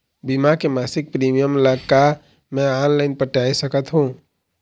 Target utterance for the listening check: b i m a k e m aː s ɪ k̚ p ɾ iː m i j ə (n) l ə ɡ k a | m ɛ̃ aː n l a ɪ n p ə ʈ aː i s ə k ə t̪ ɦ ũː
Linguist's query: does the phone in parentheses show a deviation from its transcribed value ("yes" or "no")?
yes